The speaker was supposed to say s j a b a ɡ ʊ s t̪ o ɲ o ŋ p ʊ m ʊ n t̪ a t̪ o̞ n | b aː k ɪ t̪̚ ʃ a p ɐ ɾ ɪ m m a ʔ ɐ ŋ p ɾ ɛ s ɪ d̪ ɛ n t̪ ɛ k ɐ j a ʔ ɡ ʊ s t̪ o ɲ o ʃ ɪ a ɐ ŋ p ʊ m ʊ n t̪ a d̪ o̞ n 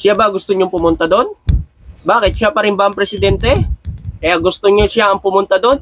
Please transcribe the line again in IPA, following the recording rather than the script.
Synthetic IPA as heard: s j a b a ɡ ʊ s t̪ o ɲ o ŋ p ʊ m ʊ n t̪ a d̪ o̞ n | b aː k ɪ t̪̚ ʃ a p ɐ ɾ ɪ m b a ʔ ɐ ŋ p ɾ ɛ s ɪ d̪ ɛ n t̪ ɛ k ɐ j a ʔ ɡ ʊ s t̪ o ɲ o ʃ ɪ a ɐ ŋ p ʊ m ʊ n t̪ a d̪ o̞ n